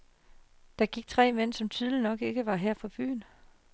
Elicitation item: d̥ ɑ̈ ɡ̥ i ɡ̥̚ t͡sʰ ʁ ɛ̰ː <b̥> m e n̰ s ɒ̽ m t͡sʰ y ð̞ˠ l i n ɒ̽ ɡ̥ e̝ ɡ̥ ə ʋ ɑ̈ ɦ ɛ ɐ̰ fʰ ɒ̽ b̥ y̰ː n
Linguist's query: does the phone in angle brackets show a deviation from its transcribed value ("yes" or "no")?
yes